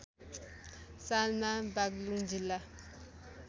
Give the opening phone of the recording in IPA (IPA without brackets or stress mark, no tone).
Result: s